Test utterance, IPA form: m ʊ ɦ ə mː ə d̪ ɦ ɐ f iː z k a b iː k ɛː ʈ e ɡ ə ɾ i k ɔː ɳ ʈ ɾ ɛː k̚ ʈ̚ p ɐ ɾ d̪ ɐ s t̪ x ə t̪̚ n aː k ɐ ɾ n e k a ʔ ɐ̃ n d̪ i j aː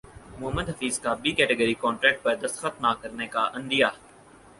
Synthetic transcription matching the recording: m ʊ ɦ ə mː ə d̪ ɦ ɐ f iː z k a b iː k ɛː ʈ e ɡ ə ɾ i k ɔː ɳ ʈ ɾ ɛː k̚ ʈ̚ p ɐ ɾ d̪ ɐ s t̪ x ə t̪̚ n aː k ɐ ɾ n e k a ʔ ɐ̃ n d̪ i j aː